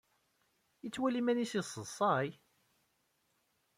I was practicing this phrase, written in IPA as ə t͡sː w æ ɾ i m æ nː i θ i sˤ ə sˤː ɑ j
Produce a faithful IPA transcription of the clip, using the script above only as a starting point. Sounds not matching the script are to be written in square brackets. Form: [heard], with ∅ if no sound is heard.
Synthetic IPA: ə t͡sː w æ [l] i m æ [n] i [s] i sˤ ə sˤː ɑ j

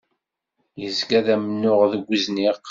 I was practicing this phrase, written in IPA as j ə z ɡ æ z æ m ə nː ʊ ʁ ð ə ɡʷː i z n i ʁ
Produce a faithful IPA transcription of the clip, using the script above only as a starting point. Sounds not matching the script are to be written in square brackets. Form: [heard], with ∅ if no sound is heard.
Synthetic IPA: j ə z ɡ æ [ð] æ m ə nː ʊ ʁ ð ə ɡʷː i z n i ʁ

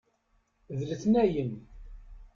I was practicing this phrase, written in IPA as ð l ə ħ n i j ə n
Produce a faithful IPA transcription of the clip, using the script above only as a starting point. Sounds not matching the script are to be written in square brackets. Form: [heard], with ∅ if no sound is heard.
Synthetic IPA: ð l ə [θ] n [æ] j ə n

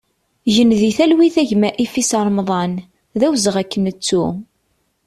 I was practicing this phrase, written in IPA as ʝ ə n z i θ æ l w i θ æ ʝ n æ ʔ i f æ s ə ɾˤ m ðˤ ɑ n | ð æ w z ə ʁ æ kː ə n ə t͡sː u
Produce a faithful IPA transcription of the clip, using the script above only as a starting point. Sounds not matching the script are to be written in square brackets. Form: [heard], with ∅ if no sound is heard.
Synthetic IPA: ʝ ə n [ð] i θ æ l w i θ æ ʝ [m] æ ʔ i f [i] s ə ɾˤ m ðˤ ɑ n | ð æ w z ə ʁ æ kː ə n ə t͡sː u

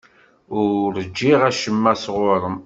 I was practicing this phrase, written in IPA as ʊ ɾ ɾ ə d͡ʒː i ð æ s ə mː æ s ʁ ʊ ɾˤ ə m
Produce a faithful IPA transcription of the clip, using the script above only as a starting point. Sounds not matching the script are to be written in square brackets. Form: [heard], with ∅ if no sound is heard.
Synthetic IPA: ʊ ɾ ɾ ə d͡ʒː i [ʁ] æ [ʃ] ə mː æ s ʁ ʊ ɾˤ ə m

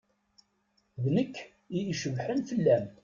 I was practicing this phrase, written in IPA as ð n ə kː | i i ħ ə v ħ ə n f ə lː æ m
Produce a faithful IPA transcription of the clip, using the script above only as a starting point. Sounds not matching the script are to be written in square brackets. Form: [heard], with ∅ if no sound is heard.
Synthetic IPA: ð n ə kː | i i [ʃ] ə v ħ ə n f ə lː æ m

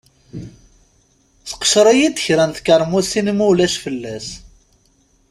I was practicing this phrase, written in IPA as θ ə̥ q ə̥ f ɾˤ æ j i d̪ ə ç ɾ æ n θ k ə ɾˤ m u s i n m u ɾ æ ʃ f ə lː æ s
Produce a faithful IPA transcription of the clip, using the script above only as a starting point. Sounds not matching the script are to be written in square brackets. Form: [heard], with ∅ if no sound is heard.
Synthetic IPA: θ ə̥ q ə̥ [ʃ] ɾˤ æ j i d̪ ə ç ɾ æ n θ k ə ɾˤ m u s i n m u [l] æ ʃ f ə lː æ s

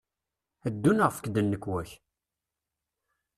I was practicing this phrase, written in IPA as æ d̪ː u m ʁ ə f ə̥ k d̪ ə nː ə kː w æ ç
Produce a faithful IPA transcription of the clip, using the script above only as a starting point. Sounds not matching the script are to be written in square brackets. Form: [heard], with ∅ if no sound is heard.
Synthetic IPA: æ d̪ː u [n] ʁ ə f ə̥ k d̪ ə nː ə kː w æ ç

